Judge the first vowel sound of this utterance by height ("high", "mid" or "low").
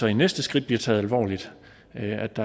low